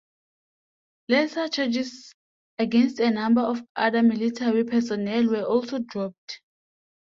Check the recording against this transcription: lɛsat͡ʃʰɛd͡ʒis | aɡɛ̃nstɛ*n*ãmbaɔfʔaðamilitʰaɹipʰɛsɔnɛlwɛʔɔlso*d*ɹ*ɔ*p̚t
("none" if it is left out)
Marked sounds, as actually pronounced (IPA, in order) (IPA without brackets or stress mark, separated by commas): n, d, ɔ